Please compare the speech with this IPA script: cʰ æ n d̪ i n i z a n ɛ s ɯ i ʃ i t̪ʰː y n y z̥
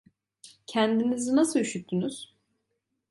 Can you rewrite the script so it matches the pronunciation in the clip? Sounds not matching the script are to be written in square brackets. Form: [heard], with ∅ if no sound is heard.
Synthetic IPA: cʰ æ n d̪ i n i z [i] n [a] s ɯ [y] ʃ [y] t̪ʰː y n y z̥

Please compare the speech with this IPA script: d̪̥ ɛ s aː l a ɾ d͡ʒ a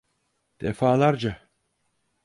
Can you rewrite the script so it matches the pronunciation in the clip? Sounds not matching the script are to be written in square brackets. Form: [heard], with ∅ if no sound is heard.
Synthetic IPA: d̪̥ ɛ [f] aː l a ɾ d͡ʒ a

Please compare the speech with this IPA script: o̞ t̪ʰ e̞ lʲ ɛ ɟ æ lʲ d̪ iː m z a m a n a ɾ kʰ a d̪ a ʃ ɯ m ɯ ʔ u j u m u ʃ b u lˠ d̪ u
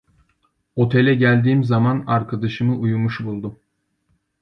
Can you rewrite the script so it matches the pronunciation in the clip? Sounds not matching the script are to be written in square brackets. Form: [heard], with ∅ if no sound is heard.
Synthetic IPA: o̞ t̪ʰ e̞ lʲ ɛ ɟ æ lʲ d̪ iː m z a m a n a ɾ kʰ a d̪ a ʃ ɯ m ɯ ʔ u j u m u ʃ b u lˠ d̪ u

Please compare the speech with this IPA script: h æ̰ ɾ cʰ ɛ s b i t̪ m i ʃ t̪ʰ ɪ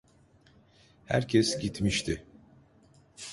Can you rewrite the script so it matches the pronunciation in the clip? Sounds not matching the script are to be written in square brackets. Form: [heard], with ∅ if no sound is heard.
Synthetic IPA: h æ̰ ɾ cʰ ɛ s [ɟ] i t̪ m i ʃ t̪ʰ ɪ

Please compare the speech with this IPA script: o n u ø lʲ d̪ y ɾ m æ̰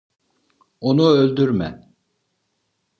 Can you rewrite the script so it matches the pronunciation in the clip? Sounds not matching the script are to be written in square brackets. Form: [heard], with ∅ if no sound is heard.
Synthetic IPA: o n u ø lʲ d̪ y ɾ m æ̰

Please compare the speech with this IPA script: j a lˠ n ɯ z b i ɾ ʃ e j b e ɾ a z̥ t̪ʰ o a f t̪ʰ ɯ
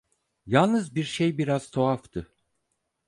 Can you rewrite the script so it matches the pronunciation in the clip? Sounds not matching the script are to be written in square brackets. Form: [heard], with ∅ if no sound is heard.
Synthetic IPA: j a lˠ n ɯ z b i ɾ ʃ e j b [i] ɾ a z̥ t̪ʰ o a f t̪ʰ ɯ

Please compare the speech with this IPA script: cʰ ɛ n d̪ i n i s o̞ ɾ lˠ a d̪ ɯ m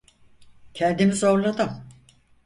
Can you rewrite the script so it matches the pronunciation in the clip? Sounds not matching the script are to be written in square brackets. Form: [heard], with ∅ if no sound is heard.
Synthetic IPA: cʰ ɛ n d̪ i [m] i [z] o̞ ɾ lˠ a d̪ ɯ m

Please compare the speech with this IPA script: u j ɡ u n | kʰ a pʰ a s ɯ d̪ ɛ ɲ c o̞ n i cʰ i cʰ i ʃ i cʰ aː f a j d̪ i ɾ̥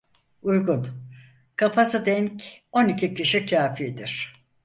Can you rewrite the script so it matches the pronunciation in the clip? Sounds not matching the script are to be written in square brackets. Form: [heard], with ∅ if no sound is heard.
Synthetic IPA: u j ɡ u n | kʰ a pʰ a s ɯ d̪ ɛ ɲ c o̞ n i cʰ i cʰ i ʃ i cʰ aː f [i] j d̪ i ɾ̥

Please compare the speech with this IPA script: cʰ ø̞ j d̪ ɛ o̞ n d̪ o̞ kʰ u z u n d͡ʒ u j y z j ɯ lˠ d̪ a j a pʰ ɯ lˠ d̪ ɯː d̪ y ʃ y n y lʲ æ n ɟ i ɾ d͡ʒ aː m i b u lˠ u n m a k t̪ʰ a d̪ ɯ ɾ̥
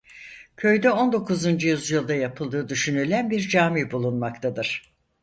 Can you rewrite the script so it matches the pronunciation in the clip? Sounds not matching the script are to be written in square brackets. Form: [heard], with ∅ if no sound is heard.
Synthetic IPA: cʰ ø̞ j d̪ ɛ o̞ n d̪ o̞ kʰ u z u n d͡ʒ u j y z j ɯ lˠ d̪ a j a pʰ ɯ lˠ d̪ ɯː d̪ y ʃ y n y lʲ æ n [b] i ɾ d͡ʒ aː m i b u lˠ u n m a k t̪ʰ a d̪ ɯ ɾ̥

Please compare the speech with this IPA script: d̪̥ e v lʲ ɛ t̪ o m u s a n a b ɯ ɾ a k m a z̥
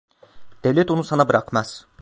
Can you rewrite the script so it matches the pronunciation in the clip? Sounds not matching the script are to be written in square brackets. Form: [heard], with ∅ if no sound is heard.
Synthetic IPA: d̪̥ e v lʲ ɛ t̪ o [n] u s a n a b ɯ ɾ a k m a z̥

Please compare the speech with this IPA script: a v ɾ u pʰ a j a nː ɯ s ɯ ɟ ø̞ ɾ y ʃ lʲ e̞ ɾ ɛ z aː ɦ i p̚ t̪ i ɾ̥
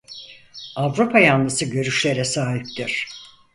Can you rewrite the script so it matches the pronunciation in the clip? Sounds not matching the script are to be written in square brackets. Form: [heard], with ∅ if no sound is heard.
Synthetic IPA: a v ɾ u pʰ a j a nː ɯ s ɯ ɟ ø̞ ɾ y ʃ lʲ e̞ ɾ ɛ [s] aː ɦ i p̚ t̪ i ɾ̥

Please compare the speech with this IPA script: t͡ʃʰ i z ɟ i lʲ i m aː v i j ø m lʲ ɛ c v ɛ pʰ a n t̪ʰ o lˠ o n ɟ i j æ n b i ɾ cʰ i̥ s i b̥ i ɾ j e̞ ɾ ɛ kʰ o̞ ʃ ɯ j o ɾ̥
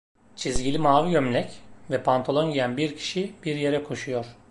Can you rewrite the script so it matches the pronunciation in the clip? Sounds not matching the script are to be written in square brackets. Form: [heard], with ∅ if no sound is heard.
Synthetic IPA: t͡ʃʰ i z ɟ i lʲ i m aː v i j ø m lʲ ɛ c v ɛ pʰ a n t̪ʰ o lˠ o n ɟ i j æ n b i ɾ cʰ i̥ [ʃ] i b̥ i ɾ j e̞ ɾ ɛ kʰ o̞ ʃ [u] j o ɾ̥

